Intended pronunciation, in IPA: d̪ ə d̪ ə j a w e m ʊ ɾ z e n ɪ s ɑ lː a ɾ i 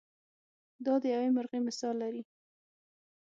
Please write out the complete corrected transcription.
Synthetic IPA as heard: d̪ ɑ d̪ ə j a w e m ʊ ɾ ɣ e m ɪ s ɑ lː a ɾ i